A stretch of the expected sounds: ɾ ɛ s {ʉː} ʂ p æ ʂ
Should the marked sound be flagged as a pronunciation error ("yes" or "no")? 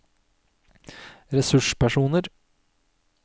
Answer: yes